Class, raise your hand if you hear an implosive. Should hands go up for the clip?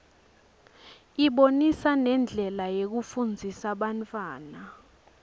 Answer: yes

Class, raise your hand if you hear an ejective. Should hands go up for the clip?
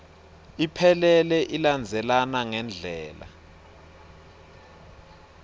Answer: no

